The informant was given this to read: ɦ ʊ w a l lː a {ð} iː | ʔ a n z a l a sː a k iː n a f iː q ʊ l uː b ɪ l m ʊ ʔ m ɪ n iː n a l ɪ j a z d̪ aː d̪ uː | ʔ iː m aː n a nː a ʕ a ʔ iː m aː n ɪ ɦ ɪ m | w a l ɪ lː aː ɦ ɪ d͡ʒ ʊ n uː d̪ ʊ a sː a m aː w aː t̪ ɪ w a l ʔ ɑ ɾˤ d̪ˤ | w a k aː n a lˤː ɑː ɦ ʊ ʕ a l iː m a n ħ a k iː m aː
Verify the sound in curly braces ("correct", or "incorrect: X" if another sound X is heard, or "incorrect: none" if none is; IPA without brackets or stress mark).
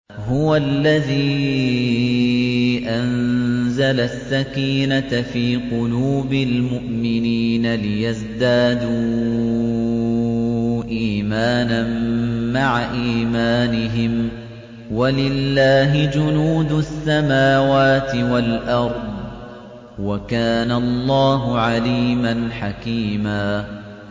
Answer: correct